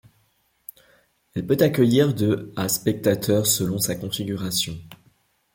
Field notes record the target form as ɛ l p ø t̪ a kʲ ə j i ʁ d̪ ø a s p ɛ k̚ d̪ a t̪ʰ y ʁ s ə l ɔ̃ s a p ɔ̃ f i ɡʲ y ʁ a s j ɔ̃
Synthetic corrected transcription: ɛ l p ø t̪ a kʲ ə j i ʁ d̪ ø a s p ɛ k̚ t̪ a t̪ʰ œ ʁ s ə l ɔ̃ s a k ɔ̃ f i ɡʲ y ʁ a s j ɔ̃